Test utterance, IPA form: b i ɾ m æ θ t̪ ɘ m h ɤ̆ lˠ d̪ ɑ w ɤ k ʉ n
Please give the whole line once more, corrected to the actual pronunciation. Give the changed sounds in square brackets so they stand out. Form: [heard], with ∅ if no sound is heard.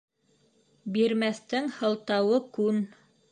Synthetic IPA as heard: b i ɾ m æ θ t̪ ɘ [ŋ] h ɤ̆ lˠ [t̪] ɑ w ɤ k ʉ n